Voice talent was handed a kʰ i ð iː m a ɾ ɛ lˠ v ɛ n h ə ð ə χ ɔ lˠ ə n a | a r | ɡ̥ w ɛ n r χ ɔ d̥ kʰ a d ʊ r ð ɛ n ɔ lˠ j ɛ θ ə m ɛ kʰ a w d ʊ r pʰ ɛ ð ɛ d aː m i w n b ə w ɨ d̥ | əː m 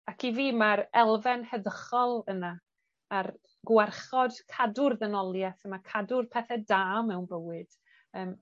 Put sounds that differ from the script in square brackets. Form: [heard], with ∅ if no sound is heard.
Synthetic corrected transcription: a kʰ i [v] iː m a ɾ ɛ lˠ v ɛ n h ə ð ə χ ɔ lˠ ə n a | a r | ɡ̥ w ɛ [∅] r χ ɔ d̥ kʰ a d ʊ r ð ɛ n ɔ lˠ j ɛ θ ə m [a] kʰ a [∅] d ʊ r pʰ ɛ [θ] ɛ d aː m [ɛ] w n b ə w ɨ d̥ | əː m